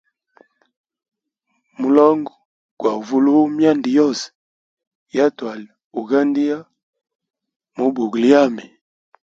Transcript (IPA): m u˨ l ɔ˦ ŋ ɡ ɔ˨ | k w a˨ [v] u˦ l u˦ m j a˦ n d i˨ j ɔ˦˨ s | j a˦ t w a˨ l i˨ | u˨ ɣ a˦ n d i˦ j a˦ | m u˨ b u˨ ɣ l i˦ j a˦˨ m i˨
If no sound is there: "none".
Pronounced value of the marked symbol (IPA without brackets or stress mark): v